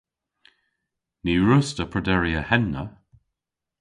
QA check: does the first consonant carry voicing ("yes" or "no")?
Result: yes